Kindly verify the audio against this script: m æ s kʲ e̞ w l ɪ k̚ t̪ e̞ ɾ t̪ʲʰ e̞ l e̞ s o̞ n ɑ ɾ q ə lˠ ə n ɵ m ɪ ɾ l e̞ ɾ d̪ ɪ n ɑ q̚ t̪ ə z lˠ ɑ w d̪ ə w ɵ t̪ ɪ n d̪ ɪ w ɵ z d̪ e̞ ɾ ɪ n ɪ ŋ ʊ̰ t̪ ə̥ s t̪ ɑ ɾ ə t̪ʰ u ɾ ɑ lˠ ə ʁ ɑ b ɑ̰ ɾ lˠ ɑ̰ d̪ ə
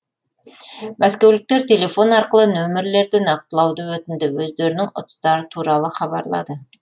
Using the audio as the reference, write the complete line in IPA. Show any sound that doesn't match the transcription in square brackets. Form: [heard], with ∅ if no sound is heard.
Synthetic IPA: m æ s kʲ e̞ w l ɪ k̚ t̪ e̞ ɾ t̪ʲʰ e̞ l e̞ [f] o̞ n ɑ ɾ q ə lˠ ə n ɵ m ɪ ɾ l e̞ ɾ d̪ ɪ n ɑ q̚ t̪ ə [∅] lˠ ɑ w d̪ ə w ɵ t̪ ɪ n d̪ ɪ w ɵ z d̪ e̞ ɾ ɪ n ɪ ŋ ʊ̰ t̪ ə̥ s t̪ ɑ ɾ ə t̪ʰ u ɾ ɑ lˠ ə [χ] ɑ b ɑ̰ ɾ lˠ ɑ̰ d̪ ə

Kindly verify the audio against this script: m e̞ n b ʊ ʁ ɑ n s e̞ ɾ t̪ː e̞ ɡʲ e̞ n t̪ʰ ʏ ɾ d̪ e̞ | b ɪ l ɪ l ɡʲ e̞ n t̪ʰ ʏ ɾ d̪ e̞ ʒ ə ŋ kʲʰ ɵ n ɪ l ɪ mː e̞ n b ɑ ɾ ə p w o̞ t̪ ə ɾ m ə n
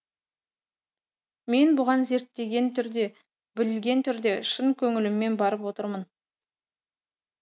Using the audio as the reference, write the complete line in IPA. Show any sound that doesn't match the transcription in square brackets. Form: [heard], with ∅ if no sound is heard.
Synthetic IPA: m e̞ n b ʊ ʁ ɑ n [z] e̞ ɾ t̪ː e̞ ɡʲ e̞ n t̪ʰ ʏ ɾ d̪ e̞ | b ɪ l ɪ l ɡʲ e̞ n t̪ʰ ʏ ɾ d̪ e̞ [ʃ] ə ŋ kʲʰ ɵ [ŋ] ɪ l ɪ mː e̞ n b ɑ ɾ ə p w o̞ t̪ ə ɾ m ə n

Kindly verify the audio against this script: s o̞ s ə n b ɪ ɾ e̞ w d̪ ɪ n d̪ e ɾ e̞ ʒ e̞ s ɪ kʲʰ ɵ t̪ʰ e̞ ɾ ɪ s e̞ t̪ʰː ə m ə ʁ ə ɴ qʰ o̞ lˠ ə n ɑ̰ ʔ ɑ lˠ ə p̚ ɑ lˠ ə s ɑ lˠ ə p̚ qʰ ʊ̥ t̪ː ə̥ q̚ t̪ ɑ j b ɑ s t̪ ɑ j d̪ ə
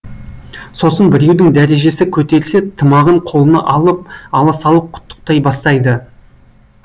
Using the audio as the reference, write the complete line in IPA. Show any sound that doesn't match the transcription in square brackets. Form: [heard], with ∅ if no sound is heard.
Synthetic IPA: s o̞ s ə n b ɪ ɾ e̞ w d̪ ɪ [ŋ] d̪ [æ] ɾ e̞ ʒ e̞ s ɪ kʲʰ ɵ [t̪] e̞ ɾ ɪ s e̞ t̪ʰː ə m [ɑ] ʁ ə ɴ qʰ o̞ lˠ ə n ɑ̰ ʔ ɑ lˠ ə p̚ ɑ lˠ [ɑ] s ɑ lˠ ə p̚ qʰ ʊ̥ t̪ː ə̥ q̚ t̪ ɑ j b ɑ s t̪ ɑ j d̪ ə

